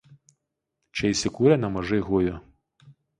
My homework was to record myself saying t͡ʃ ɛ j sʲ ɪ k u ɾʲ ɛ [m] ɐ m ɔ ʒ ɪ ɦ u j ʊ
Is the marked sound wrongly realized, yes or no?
yes